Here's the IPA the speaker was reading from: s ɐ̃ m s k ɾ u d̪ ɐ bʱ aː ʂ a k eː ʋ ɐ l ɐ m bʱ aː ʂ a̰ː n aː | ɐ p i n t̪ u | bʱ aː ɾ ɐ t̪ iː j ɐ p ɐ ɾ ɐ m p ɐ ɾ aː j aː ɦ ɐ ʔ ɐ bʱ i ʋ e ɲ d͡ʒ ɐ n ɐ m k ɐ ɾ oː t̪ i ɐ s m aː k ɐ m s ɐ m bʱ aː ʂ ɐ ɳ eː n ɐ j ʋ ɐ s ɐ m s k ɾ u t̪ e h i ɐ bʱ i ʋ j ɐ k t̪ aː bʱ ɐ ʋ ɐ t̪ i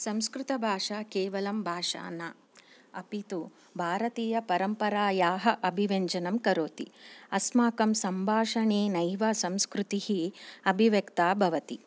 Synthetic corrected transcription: s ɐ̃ m s k ɾ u t̪ ɐ bʱ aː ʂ a k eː ʋ ɐ l ɐ m bʱ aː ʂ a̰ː n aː | ɐ p i t̪ u | bʱ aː ɾ ɐ t̪ iː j ɐ p ɐ ɾ ɐ m p ɐ ɾ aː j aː ɦ ɐ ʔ ɐ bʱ i ʋ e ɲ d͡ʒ ɐ n ɐ m k ɐ ɾ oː t̪ i ɐ s m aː k ɐ m s ɐ m bʱ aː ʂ ɐ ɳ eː n ɐ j ʋ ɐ s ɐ m s k ɾ u t̪ i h i ɐ bʱ i ʋ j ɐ k t̪ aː bʱ ɐ ʋ ɐ t̪ i